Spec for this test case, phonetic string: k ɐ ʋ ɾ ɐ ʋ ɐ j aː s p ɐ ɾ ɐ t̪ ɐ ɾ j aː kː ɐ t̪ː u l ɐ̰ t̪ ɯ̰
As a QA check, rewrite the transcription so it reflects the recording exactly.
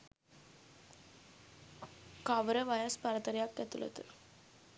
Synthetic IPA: k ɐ ʋ ɾ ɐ ʋ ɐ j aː s p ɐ ɾ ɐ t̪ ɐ ɾ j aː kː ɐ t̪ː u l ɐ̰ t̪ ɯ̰

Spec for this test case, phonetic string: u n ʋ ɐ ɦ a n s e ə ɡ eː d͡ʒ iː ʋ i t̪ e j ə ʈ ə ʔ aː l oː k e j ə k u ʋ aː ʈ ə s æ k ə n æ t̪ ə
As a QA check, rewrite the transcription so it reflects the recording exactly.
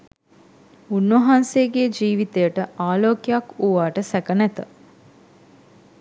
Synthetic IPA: u n ʋ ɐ ɦ a n s e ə ɡ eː d͡ʒ iː ʋ i t̪ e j ə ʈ ə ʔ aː l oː k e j a k u ʋ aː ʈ ə s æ k ə n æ t̪ ə

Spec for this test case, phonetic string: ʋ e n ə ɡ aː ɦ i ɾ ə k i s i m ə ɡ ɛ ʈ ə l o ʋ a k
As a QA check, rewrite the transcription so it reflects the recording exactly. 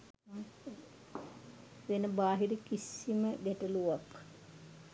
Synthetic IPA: ʋ e n ə b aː ɦ i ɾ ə k i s i m ə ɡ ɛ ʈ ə l u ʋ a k

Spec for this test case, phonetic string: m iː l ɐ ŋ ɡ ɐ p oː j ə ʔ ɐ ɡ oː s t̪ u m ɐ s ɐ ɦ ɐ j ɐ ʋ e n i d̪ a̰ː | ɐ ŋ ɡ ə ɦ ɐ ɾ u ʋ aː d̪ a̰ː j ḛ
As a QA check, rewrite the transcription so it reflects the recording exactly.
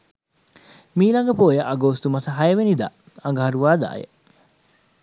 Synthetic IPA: m iː l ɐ ŋ ɡ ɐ p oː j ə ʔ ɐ ɡ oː s t̪ u m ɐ s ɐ ɦ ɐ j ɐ ʋ e n i d̪ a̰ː | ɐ ŋ ɡ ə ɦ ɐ ɾ u ʋ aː d̪ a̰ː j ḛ

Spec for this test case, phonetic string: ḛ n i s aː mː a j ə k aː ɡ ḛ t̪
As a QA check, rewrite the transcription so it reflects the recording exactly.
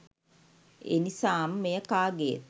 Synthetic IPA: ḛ n i s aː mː e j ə k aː ɡ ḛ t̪

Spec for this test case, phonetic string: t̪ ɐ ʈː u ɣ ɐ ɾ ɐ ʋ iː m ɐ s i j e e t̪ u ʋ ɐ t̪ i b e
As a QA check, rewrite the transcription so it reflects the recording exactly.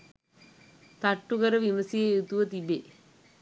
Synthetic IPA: t̪ ɐ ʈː u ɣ ɐ ɾ ɐ ʋ i m ɐ s i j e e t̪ u ʋ ɐ t̪ i b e

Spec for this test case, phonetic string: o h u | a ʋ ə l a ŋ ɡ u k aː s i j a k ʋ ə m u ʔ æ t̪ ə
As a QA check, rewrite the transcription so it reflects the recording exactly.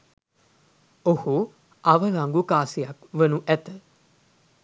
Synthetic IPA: o h u | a ʋ ə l a ŋ ɡ u k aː s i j a k ʋ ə n u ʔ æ t̪ ə

